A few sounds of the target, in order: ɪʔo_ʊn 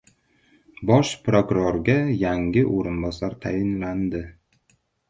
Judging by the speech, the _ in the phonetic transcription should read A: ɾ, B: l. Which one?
A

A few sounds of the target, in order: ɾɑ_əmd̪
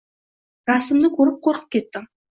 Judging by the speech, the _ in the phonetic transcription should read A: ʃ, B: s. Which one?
B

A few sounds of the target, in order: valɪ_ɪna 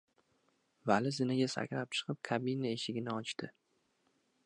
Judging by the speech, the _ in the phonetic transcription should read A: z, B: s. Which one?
A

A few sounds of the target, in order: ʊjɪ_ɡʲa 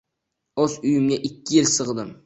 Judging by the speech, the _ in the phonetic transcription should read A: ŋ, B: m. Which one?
B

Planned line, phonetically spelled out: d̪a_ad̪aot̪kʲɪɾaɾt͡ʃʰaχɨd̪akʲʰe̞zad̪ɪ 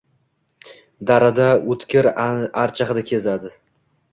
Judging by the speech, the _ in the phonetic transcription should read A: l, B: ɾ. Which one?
B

